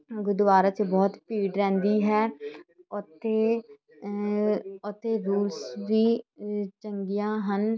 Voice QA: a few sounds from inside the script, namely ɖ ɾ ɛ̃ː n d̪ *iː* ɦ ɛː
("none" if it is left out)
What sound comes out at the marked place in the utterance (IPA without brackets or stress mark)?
iː